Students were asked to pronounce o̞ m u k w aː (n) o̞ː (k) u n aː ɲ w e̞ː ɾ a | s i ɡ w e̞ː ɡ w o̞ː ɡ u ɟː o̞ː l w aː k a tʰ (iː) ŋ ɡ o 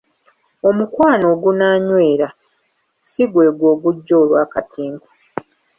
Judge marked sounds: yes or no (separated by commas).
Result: yes, no, yes